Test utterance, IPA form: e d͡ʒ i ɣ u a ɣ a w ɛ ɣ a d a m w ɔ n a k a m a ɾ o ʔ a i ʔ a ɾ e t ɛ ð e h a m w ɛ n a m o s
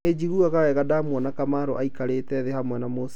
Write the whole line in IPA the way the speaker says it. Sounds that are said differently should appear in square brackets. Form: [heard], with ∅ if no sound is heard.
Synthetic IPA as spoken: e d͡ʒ i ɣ u a ɣ a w ɛ ɣ a d a m w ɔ n a k a m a ɾ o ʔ a i [k] a ɾ e t ɛ ð e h a m w ɛ n a m o s